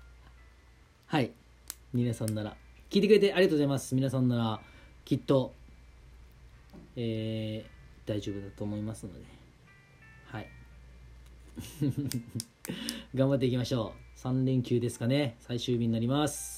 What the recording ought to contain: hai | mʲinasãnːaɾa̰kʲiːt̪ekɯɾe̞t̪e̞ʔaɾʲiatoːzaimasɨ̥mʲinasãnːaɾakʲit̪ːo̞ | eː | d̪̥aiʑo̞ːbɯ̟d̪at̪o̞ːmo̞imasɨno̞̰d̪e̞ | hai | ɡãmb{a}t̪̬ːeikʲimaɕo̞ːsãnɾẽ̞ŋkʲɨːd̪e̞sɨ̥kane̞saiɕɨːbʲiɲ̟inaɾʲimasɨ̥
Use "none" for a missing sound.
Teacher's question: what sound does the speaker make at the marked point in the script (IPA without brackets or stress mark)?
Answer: a